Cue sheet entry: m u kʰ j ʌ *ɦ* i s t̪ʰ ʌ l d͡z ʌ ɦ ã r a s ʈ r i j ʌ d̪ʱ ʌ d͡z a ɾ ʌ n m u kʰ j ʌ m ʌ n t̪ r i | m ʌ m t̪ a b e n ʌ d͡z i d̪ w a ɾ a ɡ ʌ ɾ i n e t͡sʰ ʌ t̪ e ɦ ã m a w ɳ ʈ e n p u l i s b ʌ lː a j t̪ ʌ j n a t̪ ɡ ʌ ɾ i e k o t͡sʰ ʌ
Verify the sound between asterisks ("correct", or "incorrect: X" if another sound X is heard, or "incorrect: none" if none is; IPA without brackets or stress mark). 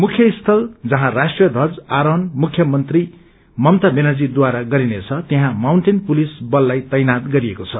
incorrect: none